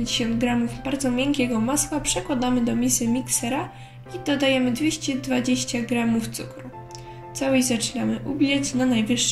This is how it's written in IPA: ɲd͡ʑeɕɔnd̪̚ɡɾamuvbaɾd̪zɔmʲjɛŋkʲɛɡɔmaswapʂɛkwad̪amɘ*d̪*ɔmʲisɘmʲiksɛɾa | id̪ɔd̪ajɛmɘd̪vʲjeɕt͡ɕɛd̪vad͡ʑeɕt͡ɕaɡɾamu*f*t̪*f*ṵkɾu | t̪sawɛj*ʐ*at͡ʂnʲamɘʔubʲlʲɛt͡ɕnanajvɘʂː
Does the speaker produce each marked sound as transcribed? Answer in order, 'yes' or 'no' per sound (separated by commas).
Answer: yes, yes, no, no